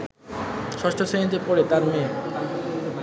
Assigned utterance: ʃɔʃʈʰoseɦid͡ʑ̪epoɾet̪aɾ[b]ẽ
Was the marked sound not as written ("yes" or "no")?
yes